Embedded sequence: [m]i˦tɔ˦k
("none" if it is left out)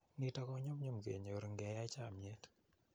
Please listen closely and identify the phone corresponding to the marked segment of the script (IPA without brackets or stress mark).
n